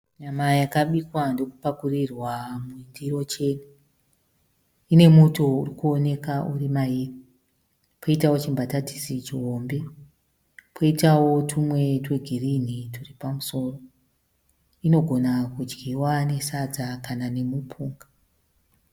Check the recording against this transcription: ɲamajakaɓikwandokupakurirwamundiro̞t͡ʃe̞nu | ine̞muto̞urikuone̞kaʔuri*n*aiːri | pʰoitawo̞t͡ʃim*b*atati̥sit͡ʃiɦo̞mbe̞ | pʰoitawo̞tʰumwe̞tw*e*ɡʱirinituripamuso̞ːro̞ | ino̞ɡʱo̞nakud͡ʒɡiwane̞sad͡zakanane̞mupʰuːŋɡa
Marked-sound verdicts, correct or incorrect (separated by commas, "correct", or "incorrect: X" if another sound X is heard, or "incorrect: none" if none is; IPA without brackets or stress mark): incorrect: m, correct, correct